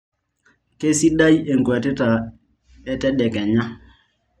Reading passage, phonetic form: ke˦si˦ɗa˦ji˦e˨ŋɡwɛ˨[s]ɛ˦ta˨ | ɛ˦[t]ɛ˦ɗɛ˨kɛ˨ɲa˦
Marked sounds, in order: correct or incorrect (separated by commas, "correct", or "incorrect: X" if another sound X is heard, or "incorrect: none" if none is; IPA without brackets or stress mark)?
incorrect: t, correct